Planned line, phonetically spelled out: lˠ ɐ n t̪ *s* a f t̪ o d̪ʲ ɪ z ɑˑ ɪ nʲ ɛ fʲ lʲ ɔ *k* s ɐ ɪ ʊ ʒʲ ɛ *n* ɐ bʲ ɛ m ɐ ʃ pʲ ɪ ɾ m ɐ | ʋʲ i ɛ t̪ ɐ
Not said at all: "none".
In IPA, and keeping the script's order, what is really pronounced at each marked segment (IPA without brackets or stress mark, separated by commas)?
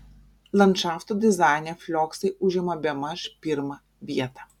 ʃ, k, m